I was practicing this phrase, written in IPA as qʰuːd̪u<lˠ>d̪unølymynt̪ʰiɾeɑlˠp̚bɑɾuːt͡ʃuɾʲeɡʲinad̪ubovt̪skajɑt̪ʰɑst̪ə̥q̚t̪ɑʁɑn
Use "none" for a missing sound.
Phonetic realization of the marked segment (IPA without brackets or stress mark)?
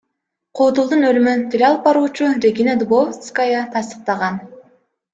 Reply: lˠ